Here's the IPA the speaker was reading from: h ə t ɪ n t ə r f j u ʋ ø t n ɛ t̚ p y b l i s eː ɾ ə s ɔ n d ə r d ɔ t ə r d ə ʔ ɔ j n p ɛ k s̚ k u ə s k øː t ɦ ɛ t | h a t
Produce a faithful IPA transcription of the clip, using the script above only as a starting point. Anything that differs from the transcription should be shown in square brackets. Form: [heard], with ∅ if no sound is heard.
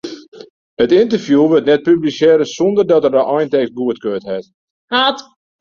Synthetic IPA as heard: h ə t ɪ n t ə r f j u ʋ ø t n ɛ t̚ p y b l i s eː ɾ ə s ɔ n d ə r d ɔ t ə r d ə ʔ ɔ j n [t] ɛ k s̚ [ɡ] u ə [t] k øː t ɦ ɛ t | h a t